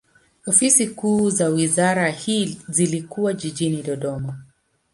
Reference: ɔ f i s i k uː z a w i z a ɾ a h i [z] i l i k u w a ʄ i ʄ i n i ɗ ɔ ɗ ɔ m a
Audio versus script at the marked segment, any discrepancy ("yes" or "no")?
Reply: no